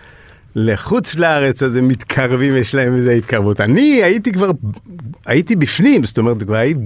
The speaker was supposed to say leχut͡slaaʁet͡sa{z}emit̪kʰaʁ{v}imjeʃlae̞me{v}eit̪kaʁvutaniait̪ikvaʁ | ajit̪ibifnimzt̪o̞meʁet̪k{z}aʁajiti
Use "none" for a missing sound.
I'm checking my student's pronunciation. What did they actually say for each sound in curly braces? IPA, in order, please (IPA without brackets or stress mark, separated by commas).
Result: z, v, z, v